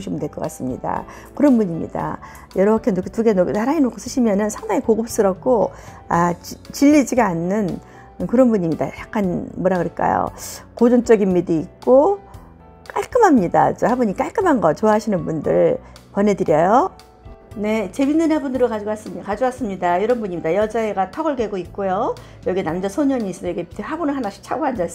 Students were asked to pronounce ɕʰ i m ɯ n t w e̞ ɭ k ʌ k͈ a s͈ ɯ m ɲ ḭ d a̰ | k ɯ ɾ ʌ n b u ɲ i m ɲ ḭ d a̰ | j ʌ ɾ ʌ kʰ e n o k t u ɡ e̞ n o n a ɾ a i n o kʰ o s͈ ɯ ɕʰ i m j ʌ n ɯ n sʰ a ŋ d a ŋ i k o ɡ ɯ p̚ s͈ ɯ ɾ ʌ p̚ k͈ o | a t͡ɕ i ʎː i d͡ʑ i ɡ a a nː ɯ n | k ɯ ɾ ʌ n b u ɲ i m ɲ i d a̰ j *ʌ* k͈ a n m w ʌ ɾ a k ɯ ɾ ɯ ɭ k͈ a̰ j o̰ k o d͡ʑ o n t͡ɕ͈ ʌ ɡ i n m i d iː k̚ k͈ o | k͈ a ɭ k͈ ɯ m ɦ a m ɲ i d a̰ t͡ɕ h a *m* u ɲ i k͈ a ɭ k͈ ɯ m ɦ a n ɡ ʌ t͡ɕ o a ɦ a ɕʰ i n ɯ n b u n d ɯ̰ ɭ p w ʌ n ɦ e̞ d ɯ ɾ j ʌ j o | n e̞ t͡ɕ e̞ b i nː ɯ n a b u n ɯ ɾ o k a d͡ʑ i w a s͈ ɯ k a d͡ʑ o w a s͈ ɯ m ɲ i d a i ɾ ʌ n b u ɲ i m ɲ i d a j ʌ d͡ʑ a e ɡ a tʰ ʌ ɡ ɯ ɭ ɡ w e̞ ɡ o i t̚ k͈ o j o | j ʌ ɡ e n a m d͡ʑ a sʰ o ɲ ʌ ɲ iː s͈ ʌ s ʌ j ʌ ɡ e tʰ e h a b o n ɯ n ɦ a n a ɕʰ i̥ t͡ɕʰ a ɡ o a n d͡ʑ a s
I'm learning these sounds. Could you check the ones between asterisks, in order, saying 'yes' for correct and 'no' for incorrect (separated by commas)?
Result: no, no